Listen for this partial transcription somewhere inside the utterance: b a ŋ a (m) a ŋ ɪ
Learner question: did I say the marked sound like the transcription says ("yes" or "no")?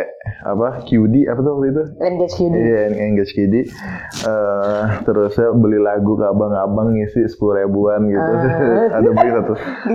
no